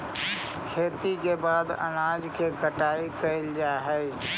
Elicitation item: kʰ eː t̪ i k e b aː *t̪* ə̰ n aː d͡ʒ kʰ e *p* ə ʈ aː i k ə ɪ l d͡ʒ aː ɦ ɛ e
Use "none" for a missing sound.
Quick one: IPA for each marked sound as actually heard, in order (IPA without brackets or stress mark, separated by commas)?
d̪, k